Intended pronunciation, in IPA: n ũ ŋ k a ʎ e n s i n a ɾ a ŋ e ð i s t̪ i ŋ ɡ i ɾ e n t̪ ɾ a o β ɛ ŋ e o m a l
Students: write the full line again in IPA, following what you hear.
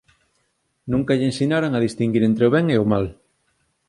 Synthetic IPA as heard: n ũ ŋ k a ʎ e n s i n a ɾ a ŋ a ð i s t̪ i ŋ ɡ i ɾ e n t̪ ɾ e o β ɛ ŋ e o m a l

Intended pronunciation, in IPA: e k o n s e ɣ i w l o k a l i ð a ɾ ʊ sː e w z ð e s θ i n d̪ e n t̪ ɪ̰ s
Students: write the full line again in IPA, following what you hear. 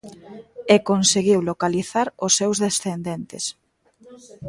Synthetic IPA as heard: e k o n s e ɣ i w l o k a l i θ a ɾ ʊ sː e w z ð e s θ e n d̪ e n t̪ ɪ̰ s

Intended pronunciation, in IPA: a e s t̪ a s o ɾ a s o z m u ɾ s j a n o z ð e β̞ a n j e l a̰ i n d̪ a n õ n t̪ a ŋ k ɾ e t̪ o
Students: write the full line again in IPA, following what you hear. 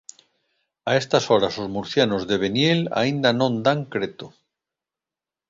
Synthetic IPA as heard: a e s t̪ a s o ɾ a s o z m u ɾ θ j a n o z ð e β̞ e n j e l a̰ i n d̪ a n õ n d̪ a ŋ k ɾ e t̪ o

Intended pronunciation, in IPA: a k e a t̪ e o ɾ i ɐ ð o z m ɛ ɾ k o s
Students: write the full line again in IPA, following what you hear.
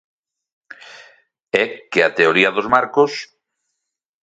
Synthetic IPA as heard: ɛ k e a t̪ e o ɾ i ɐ ð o z m a ɾ k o s

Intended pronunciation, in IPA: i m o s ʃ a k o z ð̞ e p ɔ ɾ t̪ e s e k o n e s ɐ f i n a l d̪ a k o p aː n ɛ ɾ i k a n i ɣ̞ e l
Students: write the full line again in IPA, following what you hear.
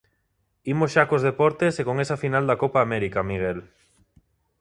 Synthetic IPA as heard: i m o s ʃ a k o z ð̞ e p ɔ ɾ t̪ e s e k o ŋ e s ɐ f i n a l d̪ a k o p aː m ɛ ɾ i k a m i ɣ̞ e l

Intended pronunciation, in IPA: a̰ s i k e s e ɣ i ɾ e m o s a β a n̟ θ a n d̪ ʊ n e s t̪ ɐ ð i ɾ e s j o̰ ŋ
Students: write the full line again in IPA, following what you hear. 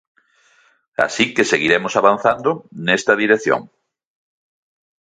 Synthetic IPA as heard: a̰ s i k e s e ɣ i ɾ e m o s a β a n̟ θ a n d̪ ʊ n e s t̪ ɐ ð i ɾ e θ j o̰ ŋ

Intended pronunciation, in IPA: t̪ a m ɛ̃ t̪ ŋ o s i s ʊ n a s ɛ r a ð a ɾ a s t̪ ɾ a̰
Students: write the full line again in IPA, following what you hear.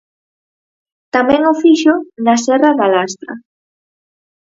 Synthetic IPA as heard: t̪ a m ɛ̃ ŋ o f i ʃ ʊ n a s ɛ r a ð a l a s t̪ ɾ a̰

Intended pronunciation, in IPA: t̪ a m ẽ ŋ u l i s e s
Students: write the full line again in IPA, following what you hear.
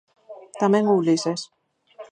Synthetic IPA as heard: t̪ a m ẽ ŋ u l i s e s

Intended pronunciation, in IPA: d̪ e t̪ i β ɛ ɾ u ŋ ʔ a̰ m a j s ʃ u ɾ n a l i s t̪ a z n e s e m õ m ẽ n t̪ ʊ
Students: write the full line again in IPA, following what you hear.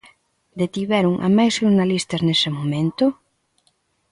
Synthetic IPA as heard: d̪ e t̪ i β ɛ ɾ u ŋ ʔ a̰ m a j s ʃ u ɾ n a l i s t̪ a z n e s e m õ m ẽ n t̪ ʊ

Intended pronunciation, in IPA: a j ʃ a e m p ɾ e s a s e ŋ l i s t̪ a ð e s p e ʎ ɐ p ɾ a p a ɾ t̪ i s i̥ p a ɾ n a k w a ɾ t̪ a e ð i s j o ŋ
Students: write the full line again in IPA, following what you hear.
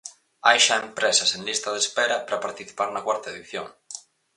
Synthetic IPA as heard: a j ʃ a e m p ɾ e s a s e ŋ l i s t̪ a ð e s p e ɾ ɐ p ɾ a p a ɾ t̪ i θ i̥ p a ɾ n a k w a ɾ t̪ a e ð i θ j o ŋ

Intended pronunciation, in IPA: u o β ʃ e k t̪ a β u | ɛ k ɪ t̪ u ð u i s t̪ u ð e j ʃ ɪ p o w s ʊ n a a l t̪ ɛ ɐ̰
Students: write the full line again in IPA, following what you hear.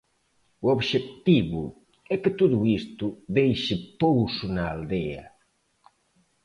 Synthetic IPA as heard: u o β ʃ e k t̪ i β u | ɛ k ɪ t̪ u ð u i s t̪ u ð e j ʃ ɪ p o w s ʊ n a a l d̪ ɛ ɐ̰

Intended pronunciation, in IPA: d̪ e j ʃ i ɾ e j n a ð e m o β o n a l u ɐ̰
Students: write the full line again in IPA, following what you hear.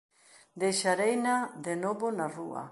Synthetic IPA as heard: d̪ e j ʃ a ɾ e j n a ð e n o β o n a r u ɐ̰

